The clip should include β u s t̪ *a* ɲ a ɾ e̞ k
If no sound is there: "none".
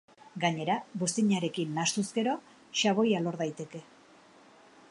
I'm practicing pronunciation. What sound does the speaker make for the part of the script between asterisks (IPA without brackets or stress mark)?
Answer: i